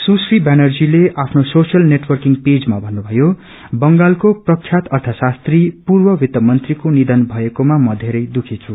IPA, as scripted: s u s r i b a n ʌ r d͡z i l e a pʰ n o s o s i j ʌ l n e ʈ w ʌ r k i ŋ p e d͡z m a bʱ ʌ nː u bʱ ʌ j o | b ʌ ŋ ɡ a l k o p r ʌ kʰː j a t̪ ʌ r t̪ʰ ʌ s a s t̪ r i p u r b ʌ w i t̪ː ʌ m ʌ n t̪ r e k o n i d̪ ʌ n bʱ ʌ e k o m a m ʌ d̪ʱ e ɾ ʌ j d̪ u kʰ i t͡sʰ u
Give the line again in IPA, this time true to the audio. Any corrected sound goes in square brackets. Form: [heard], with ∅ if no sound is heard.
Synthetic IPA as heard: s u s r i b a n ʌ r d͡z i l e a pʰ n o s o s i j ʌ l n e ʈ w ʌ r k i ŋ p e d͡z m a bʱ ʌ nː u bʱ ʌ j o | b ʌ ŋ ɡ a l k o p r ʌ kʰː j a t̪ ʌ r t̪ʰ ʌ s a s t̪ r i p u r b ʌ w i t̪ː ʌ m ʌ n t̪ r [i] k o n i d̪ ʌ n bʱ ʌ e k o m a m ʌ d̪ʱ e ɾ ʌ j d̪ u kʰ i t͡sʰ u